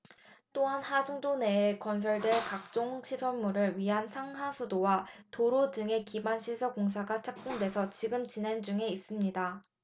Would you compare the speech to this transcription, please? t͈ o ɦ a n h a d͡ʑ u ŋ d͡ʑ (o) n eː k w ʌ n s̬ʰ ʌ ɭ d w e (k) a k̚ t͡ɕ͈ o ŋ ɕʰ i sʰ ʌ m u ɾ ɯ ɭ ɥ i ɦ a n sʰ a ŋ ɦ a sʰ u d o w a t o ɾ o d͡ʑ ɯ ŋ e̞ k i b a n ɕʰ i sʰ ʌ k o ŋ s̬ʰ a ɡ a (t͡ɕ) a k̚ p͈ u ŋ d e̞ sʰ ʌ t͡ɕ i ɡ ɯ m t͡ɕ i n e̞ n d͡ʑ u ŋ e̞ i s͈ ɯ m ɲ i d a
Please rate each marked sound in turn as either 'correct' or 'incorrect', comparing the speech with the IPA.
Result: correct, correct, incorrect: t͡ɕʰ

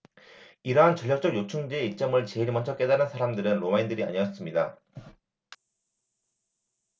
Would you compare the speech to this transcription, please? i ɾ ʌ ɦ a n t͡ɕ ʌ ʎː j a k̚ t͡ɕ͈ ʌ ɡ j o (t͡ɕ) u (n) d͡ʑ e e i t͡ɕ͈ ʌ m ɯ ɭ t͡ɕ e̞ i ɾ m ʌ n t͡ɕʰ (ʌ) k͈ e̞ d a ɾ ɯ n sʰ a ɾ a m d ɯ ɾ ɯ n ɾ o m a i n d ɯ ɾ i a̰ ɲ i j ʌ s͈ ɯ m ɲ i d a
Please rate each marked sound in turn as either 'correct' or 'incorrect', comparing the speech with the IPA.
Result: incorrect: t͡ɕʰ, incorrect: ŋ, correct

